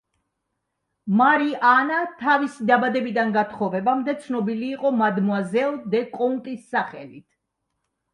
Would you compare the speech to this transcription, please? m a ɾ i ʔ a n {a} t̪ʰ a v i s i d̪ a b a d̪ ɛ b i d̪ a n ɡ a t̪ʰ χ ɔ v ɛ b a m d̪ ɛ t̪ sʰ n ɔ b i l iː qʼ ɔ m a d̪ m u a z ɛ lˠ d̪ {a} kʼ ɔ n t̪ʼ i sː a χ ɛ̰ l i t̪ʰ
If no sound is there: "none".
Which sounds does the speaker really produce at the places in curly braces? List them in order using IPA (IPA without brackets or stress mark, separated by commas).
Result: a, ɛ